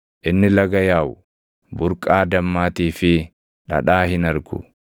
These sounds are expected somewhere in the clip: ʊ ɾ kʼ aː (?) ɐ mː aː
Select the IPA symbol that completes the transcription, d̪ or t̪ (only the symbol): d̪